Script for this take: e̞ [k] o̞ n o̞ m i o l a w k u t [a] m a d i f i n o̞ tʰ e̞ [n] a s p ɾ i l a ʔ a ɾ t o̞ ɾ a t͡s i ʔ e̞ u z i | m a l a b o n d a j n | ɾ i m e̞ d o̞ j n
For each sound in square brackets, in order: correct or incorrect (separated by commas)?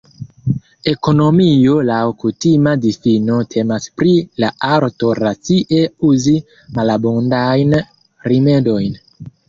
correct, incorrect, incorrect